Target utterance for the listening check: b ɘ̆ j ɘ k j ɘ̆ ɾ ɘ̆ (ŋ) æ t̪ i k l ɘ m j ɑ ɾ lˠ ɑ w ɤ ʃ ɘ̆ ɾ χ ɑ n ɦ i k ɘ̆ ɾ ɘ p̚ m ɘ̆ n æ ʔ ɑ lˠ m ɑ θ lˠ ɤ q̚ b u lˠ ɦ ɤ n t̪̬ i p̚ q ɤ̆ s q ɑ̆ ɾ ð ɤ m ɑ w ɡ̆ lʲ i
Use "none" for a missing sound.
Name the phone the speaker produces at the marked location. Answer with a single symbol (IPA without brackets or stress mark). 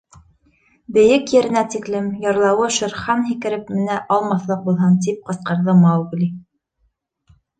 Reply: n